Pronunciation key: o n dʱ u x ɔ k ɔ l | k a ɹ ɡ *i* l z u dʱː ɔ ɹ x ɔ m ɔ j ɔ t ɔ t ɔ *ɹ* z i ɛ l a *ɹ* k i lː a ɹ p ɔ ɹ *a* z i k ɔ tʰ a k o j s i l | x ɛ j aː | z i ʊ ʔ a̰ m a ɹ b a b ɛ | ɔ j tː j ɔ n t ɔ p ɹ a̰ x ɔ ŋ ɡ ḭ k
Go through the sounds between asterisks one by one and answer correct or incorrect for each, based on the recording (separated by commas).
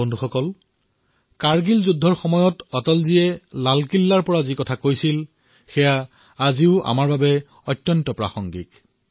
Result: correct, incorrect, incorrect, correct